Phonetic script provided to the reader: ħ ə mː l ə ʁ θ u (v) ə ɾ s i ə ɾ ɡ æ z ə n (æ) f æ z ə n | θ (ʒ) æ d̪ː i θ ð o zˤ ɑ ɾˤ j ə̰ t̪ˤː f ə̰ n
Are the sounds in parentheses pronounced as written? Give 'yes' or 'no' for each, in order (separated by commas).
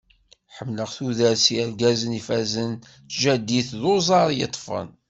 no, no, yes